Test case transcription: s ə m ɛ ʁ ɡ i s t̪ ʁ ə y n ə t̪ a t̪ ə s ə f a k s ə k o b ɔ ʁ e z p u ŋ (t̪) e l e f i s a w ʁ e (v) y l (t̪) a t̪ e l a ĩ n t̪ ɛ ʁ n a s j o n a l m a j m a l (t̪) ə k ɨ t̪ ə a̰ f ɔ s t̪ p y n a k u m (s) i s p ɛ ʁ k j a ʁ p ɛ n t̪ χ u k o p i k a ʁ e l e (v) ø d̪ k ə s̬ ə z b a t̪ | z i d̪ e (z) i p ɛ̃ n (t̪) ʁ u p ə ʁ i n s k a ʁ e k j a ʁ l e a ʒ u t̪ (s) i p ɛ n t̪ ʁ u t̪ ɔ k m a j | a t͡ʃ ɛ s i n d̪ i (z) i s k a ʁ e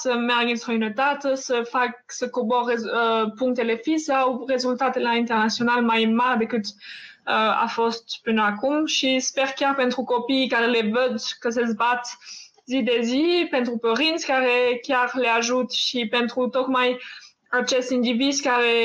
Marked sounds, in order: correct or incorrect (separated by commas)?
correct, incorrect, correct, incorrect, incorrect, correct, correct, correct, incorrect, incorrect